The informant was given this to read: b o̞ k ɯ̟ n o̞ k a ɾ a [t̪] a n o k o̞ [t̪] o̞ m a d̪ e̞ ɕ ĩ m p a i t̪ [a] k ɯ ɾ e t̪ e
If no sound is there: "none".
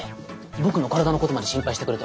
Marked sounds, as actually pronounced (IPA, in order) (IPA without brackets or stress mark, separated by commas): d̪, t̪, e